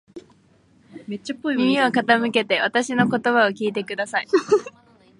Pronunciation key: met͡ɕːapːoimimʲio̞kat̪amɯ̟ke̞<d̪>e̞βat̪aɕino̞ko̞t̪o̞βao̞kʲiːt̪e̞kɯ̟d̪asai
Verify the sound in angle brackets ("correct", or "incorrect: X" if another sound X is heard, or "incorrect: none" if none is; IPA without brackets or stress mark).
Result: incorrect: t̪